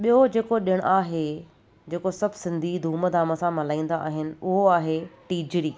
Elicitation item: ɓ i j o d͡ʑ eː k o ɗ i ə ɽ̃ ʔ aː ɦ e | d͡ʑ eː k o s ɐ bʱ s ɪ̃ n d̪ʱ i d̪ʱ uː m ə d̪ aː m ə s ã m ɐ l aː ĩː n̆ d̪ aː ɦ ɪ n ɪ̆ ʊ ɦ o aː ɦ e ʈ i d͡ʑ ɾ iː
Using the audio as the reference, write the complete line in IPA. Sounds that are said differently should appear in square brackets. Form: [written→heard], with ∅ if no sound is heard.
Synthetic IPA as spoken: ɓ i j o d͡ʑ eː k o ɗ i ə ɽ̃ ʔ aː ɦ e | d͡ʑ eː k o s ɐ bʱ s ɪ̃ n d̪ʱ i d̪ʱ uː m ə d̪ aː m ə s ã m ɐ l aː ĩː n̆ d̪ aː ɦ ɪ n ɪ̆ ʊ ɦ o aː ɦ e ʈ [i→iː] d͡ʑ ɾ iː